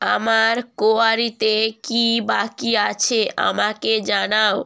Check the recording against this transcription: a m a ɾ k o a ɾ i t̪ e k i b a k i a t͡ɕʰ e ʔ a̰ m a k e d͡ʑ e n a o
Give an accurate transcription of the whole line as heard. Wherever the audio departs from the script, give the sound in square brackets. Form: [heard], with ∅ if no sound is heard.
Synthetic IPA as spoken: a m a ɾ k o a ɾ i t̪ e k i b a k i a t͡ɕʰ e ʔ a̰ m a k e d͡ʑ [a] n a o